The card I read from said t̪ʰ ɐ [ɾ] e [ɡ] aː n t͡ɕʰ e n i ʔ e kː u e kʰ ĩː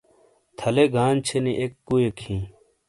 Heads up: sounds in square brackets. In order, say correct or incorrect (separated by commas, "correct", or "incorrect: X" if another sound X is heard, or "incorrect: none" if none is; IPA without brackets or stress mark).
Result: incorrect: l, correct